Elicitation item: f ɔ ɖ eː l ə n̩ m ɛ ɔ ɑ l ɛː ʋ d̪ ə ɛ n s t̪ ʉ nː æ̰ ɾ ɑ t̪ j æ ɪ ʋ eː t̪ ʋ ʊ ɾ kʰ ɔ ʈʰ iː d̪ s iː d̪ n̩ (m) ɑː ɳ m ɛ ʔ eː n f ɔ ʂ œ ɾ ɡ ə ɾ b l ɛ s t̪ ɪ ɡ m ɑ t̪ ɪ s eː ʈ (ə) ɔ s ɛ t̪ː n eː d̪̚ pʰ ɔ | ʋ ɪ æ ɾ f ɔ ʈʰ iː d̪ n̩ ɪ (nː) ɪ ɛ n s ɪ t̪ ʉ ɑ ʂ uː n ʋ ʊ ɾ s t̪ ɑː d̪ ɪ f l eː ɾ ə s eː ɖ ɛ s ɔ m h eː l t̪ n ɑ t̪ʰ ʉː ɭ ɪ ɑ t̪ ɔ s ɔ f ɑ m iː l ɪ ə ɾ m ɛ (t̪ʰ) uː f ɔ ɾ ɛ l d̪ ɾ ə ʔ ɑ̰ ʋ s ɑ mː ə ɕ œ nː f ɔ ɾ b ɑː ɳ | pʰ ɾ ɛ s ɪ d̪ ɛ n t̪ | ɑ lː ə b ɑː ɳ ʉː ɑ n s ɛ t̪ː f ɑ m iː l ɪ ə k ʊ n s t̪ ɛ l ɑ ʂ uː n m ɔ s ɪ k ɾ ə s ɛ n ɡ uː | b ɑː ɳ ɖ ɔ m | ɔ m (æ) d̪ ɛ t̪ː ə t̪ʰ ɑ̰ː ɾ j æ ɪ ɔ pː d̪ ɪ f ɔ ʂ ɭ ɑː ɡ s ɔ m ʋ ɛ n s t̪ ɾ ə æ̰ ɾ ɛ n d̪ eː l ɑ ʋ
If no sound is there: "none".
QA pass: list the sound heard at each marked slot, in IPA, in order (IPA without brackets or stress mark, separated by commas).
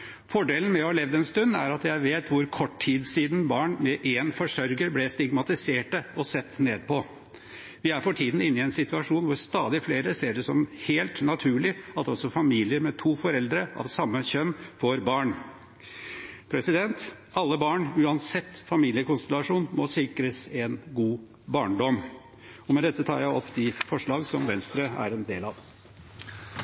b, ə, nː, t̪ʰ, ɛ